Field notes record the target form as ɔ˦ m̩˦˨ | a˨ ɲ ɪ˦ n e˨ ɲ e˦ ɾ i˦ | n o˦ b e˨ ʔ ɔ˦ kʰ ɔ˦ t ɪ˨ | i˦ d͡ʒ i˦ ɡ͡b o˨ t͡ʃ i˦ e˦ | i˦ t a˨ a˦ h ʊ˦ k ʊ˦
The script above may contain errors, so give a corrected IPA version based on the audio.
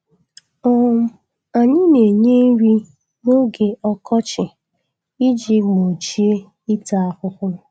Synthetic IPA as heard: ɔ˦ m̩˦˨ | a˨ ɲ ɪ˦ n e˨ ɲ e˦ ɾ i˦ | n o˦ ɡ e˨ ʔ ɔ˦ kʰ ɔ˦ t͡ʃ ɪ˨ | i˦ d͡ʒ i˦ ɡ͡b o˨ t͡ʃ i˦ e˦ | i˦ t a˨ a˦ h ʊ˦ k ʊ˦

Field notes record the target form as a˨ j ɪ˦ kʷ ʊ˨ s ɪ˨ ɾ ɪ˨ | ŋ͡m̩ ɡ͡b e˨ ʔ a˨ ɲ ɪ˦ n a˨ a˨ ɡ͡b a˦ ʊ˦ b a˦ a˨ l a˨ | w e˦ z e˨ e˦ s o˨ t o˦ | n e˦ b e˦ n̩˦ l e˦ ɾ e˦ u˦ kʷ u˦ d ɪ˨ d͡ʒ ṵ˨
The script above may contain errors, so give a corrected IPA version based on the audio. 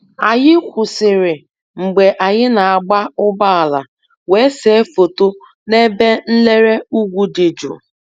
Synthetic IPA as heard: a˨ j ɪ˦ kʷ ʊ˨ s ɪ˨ ɾ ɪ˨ | ŋ͡m̩ ɡ͡b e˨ ʔ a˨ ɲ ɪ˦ n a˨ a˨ ɡ͡b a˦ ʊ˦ b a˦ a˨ l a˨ | w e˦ s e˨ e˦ f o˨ t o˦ | n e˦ b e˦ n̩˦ l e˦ ɾ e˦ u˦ ɡʷ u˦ d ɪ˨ d͡ʒ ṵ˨

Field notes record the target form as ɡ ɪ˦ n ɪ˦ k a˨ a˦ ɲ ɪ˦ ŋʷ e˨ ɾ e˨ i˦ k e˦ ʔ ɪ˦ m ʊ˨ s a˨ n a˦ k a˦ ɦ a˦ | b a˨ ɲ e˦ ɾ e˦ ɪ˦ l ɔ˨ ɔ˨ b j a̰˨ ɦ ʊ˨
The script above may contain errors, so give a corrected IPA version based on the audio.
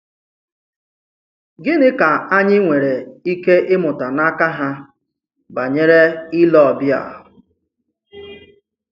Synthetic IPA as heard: ɡ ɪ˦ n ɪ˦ k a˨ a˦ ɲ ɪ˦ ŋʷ e˨ ɾ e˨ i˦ k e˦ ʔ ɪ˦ m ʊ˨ t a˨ n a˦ k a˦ ɦ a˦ | b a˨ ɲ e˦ ɾ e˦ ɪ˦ l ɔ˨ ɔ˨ b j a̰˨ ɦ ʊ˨

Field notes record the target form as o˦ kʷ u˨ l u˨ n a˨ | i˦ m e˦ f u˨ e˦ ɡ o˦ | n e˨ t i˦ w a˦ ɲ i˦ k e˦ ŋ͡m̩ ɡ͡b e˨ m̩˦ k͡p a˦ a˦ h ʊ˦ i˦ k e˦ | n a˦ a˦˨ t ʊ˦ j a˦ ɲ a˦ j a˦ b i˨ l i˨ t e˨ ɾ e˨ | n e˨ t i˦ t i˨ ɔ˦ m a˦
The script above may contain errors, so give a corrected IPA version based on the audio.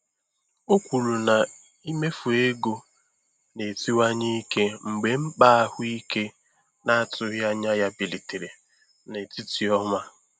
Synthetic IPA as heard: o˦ kʷ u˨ l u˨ n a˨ | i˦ m e˦ f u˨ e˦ ɡ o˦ | n e˨ t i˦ w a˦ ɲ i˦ k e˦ ŋ͡m̩ ɡ͡b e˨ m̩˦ k͡p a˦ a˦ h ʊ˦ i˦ k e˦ | n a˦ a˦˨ t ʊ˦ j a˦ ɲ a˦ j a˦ b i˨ l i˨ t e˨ ɾ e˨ | n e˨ t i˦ t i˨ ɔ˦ m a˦

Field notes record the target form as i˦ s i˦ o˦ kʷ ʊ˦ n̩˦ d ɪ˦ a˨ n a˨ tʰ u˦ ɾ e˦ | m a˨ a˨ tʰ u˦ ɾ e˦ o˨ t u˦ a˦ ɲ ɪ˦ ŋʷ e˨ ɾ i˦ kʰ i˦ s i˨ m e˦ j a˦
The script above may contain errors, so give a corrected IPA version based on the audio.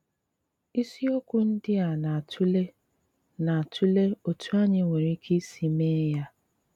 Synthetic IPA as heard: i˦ s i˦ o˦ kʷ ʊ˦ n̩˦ d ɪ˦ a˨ n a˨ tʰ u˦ l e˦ | n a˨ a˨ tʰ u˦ l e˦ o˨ t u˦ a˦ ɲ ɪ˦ ŋʷ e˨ ɾ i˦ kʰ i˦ s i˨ m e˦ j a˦

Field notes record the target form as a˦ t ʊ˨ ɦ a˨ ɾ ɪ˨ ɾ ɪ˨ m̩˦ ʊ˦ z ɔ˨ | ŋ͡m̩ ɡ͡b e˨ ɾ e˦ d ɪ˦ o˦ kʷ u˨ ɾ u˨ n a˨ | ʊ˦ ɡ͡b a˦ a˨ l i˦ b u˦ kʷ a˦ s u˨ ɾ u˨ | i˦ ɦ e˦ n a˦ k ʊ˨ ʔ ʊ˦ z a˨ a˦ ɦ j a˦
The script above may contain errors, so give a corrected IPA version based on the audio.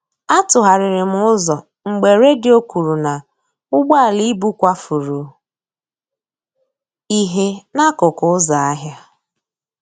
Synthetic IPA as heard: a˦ t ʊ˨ ɦ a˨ ɾ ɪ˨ ɾ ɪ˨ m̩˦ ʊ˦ z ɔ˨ | ŋ͡m̩ ɡ͡b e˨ ɾ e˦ d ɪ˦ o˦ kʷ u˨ ɾ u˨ n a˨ | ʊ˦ ɡ͡b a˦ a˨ l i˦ b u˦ kʷ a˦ f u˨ ɾ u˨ | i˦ ɦ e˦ n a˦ k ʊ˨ k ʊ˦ z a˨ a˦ ɦ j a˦

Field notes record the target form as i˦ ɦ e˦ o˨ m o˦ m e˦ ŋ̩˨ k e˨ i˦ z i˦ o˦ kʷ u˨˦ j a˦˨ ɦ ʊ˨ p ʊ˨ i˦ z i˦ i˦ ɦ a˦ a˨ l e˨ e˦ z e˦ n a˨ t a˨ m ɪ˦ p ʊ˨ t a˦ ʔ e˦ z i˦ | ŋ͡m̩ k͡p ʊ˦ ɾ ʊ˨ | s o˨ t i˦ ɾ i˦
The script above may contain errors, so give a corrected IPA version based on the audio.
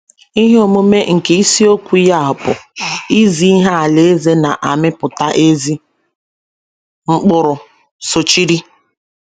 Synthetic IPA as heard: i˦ ɦ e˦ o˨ m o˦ m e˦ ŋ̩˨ k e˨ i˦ s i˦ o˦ kʷ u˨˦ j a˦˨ ɦ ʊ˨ p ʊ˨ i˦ z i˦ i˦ ɦ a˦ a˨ l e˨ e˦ z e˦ n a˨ ʔ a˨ m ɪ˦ p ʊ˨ t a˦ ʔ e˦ z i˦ | ŋ͡m̩ k͡p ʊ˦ ɾ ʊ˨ | s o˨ t͡ʃ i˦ ɾ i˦

